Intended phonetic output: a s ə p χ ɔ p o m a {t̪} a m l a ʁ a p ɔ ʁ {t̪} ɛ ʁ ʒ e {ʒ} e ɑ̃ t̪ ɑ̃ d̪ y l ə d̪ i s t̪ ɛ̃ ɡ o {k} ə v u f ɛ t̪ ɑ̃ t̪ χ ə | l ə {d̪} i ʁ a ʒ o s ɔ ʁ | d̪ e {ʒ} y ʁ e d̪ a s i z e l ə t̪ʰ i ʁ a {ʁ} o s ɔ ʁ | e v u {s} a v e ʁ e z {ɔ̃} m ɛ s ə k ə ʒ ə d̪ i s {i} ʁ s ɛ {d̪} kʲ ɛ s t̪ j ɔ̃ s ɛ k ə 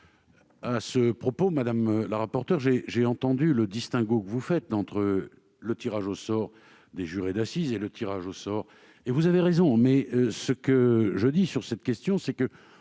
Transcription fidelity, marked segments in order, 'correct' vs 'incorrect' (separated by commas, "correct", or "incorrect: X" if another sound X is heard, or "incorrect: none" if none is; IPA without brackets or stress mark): incorrect: d̪, correct, correct, correct, incorrect: t̪, correct, incorrect: ʒ, incorrect: z, correct, incorrect: y, incorrect: t̪